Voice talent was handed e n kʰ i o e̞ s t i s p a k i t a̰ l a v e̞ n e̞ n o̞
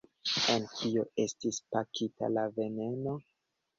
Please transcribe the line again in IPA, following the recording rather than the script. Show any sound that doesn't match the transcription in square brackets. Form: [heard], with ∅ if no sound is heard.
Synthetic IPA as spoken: e n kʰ i o e̞ s t i s p a k i t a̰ l a v e̞ n e̞ n o̞